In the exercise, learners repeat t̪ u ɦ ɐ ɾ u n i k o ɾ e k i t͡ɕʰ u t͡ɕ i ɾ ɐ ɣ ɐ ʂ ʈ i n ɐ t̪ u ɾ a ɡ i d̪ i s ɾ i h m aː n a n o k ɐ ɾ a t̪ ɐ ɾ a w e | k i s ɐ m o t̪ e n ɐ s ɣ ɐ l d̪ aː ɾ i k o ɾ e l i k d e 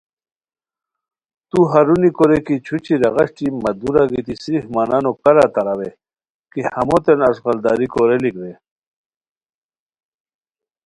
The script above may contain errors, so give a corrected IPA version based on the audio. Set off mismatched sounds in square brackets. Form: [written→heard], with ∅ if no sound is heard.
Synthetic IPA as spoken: t̪ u ɦ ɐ ɾ u n i k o ɾ e k i t͡ɕʰ u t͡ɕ i ɾ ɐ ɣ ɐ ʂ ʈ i [n→m] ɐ [t̪→d̪] u ɾ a ɡ i [d̪→t̪] i s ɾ i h m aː n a n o k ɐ ɾ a t̪ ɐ ɾ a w e | k i [s→h] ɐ m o t̪ e n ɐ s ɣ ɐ l d̪ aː ɾ i k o ɾ e l i k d e

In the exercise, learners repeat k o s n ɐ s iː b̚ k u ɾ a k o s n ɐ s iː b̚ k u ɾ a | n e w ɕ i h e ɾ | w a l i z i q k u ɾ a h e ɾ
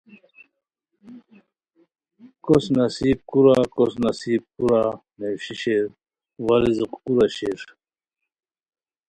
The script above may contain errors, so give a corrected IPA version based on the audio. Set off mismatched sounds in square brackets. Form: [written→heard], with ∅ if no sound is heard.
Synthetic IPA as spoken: k o s n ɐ s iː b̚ k u ɾ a k o s n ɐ s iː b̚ k u ɾ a | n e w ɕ i [h→ɕ] e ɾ | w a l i z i q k u ɾ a [h→ɕ] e ɾ

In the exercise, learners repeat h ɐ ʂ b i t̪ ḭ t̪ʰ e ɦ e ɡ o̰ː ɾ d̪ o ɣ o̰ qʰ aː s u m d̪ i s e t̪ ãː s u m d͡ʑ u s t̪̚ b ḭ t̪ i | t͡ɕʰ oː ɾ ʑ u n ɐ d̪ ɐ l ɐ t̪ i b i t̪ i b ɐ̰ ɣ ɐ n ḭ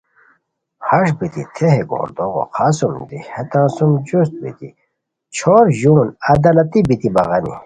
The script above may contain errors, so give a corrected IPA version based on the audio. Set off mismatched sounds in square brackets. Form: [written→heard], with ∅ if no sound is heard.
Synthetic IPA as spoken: h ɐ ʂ b i t̪ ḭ t̪ʰ e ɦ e ɡ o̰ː ɾ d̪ o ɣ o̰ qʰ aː s u m d̪ i [s→h] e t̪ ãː s u m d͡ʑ u s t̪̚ b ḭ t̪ i | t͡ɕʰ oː ɾ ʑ u n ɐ d̪ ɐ l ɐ t̪ i b i t̪ i b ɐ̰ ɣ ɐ n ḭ

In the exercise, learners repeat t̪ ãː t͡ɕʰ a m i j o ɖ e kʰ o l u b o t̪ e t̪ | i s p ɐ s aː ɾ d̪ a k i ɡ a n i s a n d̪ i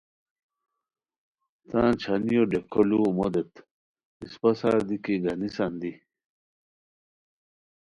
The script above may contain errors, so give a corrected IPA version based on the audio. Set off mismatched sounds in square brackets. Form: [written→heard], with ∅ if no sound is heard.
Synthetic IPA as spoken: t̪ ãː t͡ɕʰ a [m→n] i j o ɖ e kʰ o l u [b→m] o [t̪→d̪] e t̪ | i s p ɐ s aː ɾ d̪ [a→i] k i ɡ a n i s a n d̪ i

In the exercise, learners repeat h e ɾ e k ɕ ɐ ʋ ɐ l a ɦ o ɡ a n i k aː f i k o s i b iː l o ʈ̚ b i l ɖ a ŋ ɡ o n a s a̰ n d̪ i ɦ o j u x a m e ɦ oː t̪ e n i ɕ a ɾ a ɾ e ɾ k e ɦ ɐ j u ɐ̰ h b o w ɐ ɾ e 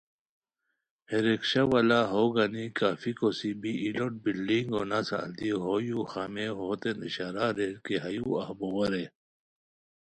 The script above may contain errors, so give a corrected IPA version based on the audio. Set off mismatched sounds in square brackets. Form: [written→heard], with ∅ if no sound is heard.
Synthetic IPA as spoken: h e ɾ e k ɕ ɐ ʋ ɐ l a ɦ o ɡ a n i k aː f i k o s i b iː l o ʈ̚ b i l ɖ [a→i] ŋ ɡ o n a s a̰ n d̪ i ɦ o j u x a m e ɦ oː t̪ e n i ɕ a ɾ a ɾ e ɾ k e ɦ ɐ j u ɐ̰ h b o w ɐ ɾ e

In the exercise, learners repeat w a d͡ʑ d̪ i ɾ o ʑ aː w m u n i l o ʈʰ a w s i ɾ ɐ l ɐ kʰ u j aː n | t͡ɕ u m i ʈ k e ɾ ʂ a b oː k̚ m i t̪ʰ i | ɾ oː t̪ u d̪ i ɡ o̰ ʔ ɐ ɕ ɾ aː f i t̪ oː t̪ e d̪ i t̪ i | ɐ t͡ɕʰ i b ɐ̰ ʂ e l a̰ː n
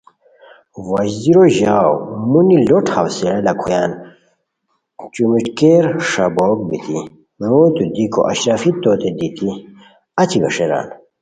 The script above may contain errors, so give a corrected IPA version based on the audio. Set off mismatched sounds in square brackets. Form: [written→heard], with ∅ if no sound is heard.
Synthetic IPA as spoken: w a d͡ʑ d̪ i ɾ o ʑ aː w m u n i l o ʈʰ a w s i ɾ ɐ l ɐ kʰ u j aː n | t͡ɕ u m i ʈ k e ɾ ʂ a b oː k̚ [m→b] i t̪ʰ i | ɾ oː t̪ u d̪ i [ɡ→k] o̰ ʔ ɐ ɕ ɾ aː f i t̪ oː t̪ e d̪ i t̪ i | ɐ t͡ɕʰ i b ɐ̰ ʂ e [l→ɾ] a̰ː n

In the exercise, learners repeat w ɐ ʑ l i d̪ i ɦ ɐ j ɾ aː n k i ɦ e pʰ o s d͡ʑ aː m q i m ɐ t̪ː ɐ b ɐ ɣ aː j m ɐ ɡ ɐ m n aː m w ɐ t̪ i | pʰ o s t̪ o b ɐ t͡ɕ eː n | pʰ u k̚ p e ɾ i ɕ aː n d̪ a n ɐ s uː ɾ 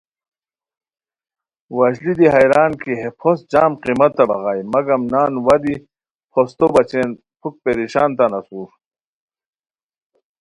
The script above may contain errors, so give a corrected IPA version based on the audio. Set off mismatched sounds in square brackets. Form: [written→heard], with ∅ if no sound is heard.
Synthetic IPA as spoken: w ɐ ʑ l i d̪ i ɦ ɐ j ɾ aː n k i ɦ e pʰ o s d͡ʑ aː m q i m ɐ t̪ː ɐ b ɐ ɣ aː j m ɐ ɡ ɐ m n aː [m→n] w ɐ [t̪→d̪] i | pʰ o s t̪ o b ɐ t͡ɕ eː n | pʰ u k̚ p e ɾ i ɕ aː n [d̪→t̪] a n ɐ s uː ɾ

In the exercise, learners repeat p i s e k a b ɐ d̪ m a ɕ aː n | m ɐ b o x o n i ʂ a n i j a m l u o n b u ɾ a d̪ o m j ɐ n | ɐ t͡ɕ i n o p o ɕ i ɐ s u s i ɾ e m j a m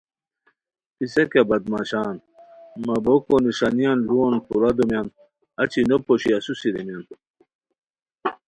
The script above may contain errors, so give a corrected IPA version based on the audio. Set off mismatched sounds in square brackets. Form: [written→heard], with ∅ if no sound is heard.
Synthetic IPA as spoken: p i s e k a b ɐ d̪ m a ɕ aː n | m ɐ b o [x→k] o n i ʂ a n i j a [m→n] l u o n [b→p] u ɾ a d̪ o m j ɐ n | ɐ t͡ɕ i n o p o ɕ i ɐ s u s i ɾ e m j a [m→n]

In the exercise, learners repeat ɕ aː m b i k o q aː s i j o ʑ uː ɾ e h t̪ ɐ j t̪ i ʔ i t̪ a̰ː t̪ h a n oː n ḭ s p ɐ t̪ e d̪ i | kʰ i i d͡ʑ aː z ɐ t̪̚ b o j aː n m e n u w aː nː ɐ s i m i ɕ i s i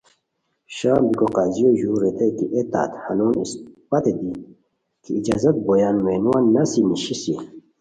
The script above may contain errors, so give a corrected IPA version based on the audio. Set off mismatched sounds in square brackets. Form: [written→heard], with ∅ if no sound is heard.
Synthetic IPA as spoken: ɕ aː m b i k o q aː [s→z] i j o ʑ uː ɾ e [h→∅] t̪ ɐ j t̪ i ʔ [i→e] t̪ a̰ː t̪ h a n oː n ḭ s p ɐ t̪ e d̪ i | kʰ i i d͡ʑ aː z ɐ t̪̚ b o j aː n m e n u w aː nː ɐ s i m i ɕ i s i

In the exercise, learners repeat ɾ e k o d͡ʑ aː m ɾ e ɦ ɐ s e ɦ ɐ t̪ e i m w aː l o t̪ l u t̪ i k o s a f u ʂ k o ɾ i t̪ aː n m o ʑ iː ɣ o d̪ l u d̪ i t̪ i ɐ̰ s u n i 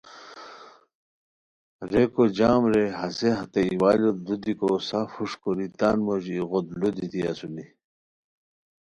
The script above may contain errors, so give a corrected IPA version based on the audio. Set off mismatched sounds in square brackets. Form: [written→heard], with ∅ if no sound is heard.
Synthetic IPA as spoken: ɾ e k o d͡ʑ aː m ɾ e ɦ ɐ s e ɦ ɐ t̪ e i [m→∅] w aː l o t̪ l u [t̪→d̪] i k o s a f u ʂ k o ɾ i t̪ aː n m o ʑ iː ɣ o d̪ l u d̪ i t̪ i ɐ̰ s u n i

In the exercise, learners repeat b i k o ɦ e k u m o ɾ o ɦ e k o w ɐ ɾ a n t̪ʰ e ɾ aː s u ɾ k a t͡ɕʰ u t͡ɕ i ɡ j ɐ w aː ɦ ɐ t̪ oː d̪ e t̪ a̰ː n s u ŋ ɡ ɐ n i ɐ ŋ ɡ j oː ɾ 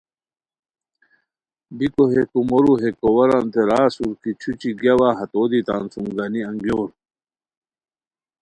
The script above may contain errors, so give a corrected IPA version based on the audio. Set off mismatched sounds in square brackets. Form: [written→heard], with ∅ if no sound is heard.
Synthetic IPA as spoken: b i k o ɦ e k u m o ɾ [o→u] ɦ e k o w ɐ ɾ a n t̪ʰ e ɾ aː s u ɾ k [a→i] t͡ɕʰ u t͡ɕ i ɡ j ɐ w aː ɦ ɐ t̪ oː d̪ [e→i] t̪ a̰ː n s u ŋ ɡ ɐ n i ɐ ŋ ɡ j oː ɾ

